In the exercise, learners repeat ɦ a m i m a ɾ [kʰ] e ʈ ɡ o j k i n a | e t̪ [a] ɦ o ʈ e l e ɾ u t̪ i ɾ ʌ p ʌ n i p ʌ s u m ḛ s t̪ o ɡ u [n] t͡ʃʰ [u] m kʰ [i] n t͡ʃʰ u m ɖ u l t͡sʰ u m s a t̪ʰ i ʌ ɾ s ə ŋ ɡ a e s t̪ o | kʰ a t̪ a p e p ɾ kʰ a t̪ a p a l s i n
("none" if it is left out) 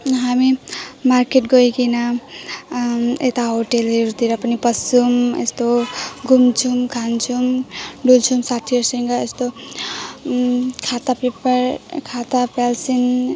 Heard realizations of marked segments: k, a, m, u, a

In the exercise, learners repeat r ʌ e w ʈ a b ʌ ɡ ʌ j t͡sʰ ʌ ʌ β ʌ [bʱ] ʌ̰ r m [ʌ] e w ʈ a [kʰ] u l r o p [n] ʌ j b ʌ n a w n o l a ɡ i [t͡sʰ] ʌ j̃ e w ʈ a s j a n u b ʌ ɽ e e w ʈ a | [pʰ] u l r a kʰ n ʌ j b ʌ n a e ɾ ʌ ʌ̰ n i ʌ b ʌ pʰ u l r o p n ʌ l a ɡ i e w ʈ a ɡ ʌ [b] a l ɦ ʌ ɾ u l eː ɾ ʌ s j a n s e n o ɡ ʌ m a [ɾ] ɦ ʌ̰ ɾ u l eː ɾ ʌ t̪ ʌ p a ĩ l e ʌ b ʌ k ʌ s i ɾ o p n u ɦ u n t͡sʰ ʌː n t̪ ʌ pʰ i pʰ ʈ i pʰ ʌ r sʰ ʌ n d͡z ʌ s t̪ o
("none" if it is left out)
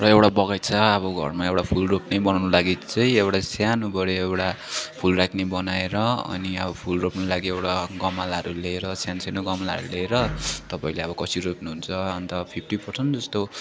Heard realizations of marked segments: ɡʱ, a, pʰ, n, t͡s, pʰ, m, l

